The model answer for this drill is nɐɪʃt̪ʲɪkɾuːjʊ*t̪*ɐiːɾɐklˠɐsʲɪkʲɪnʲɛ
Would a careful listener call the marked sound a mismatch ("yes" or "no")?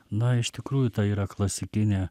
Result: no